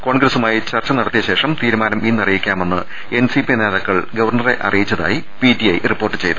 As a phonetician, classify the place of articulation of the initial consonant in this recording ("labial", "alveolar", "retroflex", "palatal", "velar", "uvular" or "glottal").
velar